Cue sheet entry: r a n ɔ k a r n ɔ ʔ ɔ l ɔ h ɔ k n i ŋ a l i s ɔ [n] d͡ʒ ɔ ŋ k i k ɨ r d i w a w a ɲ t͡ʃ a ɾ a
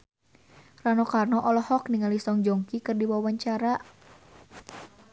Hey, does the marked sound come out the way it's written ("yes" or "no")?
no